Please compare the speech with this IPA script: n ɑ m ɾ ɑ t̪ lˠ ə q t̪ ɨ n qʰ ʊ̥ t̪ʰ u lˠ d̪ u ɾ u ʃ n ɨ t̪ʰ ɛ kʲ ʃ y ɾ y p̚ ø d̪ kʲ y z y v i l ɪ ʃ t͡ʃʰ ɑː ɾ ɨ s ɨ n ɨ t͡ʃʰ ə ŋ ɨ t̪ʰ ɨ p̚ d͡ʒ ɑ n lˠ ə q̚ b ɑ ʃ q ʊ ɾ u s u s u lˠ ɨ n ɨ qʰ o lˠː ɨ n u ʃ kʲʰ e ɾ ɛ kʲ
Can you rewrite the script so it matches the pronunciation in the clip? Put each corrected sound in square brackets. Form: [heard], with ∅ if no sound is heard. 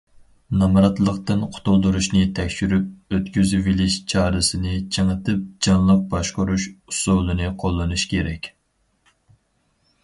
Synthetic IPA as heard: n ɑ m ɾ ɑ t̪ lˠ ə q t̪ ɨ n qʰ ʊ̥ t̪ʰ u lˠ d̪ u ɾ u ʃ n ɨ t̪ʰ ɛ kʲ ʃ y ɾ y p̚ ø [t̪] kʲ y z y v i l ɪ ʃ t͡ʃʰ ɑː ɾ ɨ s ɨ n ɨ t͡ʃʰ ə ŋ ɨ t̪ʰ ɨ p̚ d͡ʒ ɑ n lˠ ə q̚ b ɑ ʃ q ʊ ɾ u [ʃ] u s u lˠ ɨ n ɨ qʰ o lˠː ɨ n u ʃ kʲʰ e ɾ ɛ kʲ